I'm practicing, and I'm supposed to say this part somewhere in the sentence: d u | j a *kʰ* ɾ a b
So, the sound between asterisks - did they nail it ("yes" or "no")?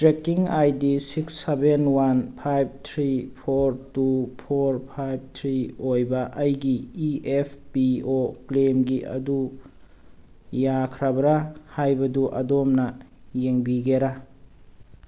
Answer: yes